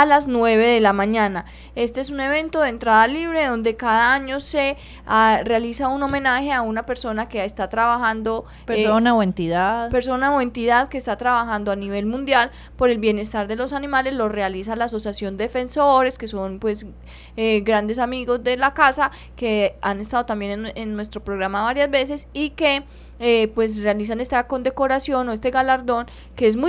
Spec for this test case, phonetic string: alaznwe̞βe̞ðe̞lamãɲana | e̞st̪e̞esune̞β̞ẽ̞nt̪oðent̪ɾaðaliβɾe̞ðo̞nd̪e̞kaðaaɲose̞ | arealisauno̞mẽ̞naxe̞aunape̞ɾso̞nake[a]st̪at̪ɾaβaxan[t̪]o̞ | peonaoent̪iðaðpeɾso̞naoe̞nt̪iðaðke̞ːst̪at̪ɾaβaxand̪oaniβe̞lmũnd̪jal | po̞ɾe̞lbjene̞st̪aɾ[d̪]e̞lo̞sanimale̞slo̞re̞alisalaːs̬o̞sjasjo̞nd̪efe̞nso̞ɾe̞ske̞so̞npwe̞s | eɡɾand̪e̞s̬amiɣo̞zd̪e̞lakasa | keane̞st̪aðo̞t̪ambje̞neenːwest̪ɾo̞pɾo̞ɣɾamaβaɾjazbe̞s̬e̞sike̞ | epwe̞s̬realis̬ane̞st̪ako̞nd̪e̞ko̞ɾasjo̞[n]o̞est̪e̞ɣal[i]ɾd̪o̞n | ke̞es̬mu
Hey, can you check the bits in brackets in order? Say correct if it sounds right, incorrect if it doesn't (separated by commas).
incorrect, incorrect, correct, correct, incorrect